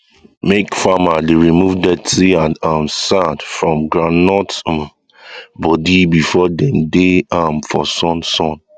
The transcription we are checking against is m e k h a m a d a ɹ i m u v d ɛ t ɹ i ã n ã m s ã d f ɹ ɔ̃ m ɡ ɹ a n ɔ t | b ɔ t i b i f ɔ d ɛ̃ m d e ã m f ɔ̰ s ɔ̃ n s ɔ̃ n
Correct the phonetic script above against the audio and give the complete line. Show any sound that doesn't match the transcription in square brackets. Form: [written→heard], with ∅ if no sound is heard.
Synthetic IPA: m e k [h→f] a m a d [a→e] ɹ i m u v d ɛ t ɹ i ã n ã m s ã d f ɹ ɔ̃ m ɡ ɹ a n ɔ t | b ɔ [t→d] i b i f ɔ d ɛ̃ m d e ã m f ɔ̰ s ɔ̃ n s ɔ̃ n